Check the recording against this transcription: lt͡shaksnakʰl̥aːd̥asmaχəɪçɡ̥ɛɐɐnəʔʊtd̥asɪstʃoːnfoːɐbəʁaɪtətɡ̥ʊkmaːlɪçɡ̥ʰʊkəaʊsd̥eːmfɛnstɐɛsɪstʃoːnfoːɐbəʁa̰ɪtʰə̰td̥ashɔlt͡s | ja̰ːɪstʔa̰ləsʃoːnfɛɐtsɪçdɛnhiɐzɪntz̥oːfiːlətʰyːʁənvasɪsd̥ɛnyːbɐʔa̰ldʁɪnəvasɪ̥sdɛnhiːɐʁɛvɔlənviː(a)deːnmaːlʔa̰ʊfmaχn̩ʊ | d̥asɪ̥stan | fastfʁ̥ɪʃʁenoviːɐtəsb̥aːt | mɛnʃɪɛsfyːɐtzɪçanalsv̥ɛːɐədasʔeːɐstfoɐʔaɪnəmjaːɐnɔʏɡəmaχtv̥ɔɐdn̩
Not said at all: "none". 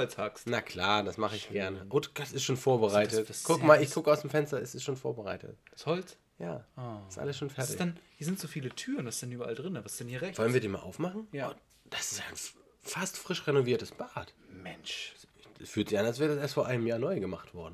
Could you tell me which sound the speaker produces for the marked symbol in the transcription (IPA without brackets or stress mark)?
ɐ